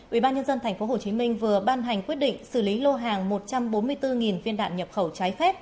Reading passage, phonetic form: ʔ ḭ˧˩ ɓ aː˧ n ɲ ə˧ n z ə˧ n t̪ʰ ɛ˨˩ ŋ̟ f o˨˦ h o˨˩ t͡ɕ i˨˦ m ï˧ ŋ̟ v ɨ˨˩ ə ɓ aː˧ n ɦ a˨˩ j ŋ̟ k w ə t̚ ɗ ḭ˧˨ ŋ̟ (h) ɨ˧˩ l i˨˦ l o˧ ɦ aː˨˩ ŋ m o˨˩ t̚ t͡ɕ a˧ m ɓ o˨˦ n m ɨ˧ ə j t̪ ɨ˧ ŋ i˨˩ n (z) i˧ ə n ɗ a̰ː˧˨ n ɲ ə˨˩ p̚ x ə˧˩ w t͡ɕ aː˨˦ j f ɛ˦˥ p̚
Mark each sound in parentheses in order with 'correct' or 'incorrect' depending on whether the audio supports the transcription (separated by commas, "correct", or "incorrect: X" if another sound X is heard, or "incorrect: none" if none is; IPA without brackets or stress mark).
incorrect: s, incorrect: v